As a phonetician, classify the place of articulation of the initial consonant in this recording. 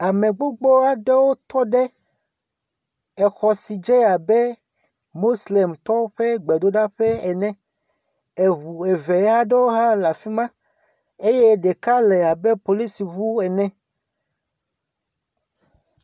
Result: labial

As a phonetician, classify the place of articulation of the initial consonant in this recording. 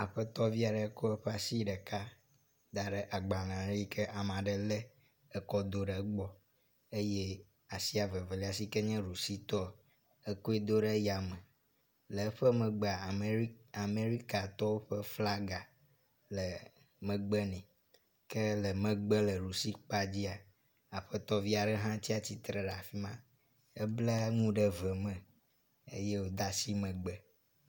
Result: labial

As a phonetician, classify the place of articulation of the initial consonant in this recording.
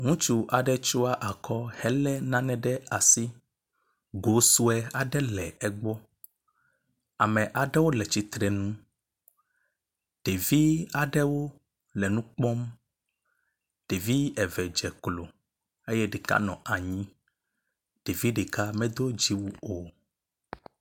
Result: velar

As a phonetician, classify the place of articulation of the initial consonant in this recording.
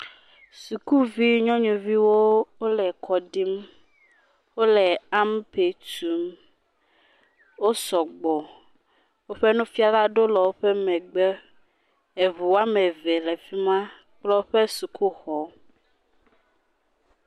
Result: alveolar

